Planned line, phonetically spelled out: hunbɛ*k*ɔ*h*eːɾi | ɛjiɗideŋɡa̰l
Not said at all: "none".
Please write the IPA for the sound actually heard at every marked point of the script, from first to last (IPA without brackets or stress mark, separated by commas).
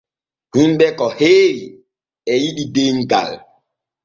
k, h